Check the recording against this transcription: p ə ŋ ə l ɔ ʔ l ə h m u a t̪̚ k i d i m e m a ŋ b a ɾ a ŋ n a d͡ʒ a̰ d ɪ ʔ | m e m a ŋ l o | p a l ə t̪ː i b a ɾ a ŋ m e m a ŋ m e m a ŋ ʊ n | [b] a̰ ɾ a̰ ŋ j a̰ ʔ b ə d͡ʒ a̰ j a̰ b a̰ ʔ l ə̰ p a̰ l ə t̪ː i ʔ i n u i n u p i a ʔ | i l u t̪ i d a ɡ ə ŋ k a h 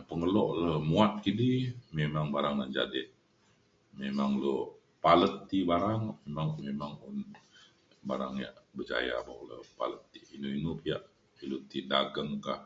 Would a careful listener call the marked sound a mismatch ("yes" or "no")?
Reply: no